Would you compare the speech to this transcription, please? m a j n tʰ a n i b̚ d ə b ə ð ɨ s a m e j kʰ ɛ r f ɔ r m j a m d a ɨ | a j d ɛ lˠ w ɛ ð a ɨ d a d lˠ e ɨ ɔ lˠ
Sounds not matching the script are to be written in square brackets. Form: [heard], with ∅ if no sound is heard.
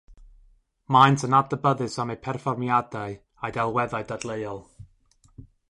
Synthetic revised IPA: m a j n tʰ [ə] n [a] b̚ d ə b ə ð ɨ s a m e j [pʰ] ɛ r f ɔ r m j a [∅] d a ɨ | a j d ɛ lˠ w ɛ ð a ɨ d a d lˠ e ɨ ɔ lˠ